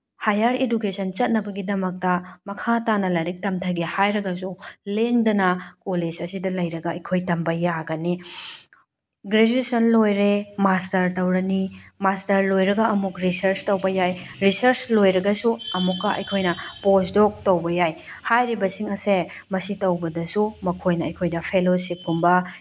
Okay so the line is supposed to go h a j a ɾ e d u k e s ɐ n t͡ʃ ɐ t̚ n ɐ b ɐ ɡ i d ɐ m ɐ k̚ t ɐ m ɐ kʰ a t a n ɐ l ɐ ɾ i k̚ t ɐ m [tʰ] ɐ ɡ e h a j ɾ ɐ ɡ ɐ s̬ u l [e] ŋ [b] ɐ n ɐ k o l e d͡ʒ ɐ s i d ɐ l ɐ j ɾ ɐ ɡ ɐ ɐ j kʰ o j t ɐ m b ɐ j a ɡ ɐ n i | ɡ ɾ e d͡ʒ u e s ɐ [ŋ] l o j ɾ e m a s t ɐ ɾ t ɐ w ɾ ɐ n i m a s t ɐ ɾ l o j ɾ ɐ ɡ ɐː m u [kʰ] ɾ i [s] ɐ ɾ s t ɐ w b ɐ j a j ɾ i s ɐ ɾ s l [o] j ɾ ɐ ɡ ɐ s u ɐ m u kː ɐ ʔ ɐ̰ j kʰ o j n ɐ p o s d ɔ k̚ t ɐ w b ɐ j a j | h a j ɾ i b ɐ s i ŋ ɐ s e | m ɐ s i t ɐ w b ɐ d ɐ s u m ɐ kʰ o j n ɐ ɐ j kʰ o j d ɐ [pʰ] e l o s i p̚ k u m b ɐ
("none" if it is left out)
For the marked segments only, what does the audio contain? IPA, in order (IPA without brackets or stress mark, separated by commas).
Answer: tʰ, e, d, n, k, s, o, pʰ